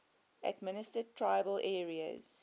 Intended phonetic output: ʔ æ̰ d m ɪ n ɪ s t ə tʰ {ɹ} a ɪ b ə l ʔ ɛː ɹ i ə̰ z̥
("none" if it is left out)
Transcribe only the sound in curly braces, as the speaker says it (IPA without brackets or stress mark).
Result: ɹ